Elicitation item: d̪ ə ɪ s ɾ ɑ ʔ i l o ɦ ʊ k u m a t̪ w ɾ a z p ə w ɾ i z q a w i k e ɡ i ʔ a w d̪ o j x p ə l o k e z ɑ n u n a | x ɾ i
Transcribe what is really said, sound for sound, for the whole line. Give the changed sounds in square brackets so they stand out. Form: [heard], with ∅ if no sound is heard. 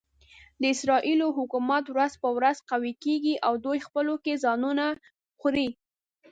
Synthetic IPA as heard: d̪ ə ɪ s ɾ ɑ ʔ i l o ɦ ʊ k u m a t̪ w ɾ a z p ə w ɾ [a] z q a w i k e ɡ i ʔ a w d̪ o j x p ə l o k e z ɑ n u n a | x ɾ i